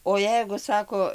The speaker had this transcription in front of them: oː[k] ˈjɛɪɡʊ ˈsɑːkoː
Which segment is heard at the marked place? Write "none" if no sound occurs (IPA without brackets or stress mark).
none